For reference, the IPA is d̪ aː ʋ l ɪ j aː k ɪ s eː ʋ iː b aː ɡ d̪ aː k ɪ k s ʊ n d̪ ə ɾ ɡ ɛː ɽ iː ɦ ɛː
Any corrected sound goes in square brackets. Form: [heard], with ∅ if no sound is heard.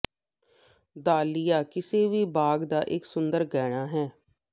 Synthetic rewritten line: d̪ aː [∅] l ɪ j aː k ɪ s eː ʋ iː b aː ɡ d̪ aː [ʔ] ɪ k s ʊ n d̪ ə ɾ ɡ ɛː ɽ [aː] ɦ ɛː